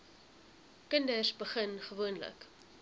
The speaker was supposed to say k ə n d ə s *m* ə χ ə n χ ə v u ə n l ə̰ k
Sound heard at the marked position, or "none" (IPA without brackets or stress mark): b